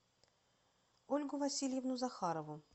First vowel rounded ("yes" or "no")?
yes